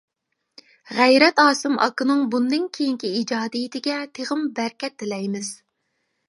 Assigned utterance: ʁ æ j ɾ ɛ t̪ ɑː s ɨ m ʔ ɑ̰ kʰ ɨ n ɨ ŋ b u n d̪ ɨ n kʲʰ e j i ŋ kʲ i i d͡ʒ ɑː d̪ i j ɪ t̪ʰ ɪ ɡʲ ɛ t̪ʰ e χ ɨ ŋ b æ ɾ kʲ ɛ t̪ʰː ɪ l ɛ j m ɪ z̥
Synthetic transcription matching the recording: ʁ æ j ɾ ɛ t̪ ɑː s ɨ m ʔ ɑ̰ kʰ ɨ n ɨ ŋ b u n d̪ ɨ n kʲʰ e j i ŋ kʲ i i d͡ʒ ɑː d̪ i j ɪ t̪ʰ ɪ ɡʲ ɛ t̪ʰ e ʁ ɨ m b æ ɾ kʲ ɛ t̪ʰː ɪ l ɛ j m ɪ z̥